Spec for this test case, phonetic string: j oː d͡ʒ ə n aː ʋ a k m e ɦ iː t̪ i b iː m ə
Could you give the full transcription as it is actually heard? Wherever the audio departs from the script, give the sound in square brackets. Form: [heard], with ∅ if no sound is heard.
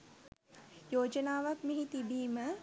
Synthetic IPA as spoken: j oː d͡ʒ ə n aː ʋ a k m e ɦ [i] t̪ i b iː m ə